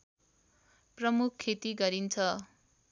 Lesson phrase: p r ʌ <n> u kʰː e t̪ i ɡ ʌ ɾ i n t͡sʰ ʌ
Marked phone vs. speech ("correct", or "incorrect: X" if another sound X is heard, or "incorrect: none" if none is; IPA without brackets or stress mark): incorrect: m